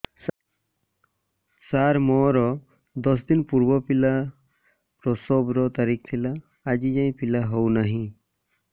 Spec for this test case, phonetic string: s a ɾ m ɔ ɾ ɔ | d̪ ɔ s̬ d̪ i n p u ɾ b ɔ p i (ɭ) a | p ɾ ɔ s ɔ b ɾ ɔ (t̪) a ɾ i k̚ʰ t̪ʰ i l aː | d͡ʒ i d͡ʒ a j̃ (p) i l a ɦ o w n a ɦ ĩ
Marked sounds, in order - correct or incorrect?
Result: incorrect: l, correct, correct

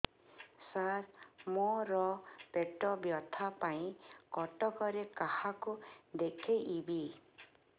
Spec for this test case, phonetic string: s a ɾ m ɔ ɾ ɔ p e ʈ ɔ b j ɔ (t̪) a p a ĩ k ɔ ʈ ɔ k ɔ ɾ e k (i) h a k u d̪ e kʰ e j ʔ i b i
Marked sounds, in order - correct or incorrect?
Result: incorrect: t̪ʰ, incorrect: a

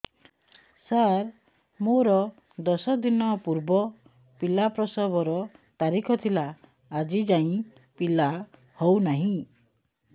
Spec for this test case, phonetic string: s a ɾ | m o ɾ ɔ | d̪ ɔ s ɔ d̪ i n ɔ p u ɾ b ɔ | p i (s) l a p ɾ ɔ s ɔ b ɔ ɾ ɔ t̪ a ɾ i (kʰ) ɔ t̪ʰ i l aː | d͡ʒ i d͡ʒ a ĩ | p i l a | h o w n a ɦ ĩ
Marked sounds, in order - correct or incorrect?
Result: incorrect: none, correct

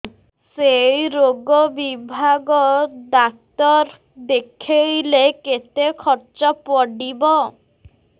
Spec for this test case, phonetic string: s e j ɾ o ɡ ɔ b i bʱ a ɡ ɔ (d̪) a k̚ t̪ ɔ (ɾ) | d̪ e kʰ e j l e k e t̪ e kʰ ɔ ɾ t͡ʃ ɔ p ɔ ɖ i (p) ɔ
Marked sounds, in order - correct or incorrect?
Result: correct, correct, incorrect: b

